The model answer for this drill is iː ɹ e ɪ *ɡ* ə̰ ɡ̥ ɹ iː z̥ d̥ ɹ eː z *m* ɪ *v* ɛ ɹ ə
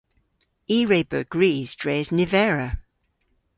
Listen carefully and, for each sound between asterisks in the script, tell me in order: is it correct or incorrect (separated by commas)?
incorrect, incorrect, correct